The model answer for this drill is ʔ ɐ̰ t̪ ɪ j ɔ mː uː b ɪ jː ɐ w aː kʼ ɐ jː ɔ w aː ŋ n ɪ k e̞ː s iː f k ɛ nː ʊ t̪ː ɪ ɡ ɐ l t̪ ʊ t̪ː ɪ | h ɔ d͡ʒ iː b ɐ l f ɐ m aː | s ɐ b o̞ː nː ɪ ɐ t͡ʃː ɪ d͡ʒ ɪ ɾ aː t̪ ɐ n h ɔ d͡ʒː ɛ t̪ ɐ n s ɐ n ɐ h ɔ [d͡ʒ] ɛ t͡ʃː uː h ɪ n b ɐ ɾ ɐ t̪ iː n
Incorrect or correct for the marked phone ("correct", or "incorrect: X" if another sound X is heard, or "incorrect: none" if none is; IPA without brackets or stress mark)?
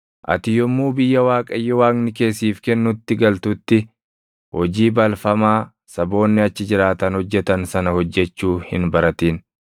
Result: incorrect: d͡ʒː